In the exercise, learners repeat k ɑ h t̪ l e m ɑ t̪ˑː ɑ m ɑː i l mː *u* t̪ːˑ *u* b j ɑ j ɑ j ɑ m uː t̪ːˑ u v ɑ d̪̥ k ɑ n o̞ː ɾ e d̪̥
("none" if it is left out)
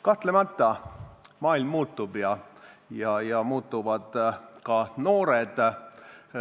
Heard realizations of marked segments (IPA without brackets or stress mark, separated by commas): uː, u